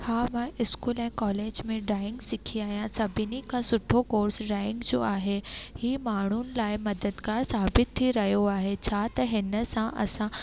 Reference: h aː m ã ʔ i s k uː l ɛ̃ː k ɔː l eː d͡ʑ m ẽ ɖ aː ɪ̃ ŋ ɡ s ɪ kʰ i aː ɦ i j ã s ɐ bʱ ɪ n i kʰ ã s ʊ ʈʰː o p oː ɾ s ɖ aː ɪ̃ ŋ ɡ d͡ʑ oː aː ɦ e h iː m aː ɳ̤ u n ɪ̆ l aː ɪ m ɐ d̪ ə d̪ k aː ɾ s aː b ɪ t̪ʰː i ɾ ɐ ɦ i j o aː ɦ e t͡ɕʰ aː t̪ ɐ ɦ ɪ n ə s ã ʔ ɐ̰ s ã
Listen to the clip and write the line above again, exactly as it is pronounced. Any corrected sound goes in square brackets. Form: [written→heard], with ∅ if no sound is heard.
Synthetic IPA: h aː m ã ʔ [i→ɪ] s k uː l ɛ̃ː k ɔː l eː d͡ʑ m ẽ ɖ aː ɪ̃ ŋ ɡ s ɪ kʰ i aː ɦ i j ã s ɐ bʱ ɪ n i kʰ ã s ʊ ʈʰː o [p→k] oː ɾ s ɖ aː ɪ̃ ŋ ɡ d͡ʑ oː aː ɦ e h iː m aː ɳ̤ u n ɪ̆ l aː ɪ m ɐ d̪ ə d̪ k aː ɾ s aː b ɪ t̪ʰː i ɾ ɐ ɦ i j o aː ɦ e t͡ɕʰ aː t̪ ɐ ɦ ɪ n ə s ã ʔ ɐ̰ s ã